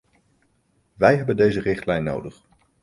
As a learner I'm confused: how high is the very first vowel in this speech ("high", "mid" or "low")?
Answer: mid